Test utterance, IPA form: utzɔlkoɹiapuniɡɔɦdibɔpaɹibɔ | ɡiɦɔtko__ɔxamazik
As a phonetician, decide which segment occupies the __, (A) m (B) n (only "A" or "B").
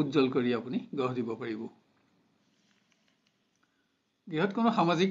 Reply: B